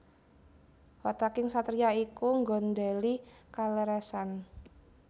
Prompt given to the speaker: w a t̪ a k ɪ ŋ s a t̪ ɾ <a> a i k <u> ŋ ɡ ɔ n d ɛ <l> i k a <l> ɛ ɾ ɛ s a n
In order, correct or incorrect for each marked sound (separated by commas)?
incorrect, correct, correct, correct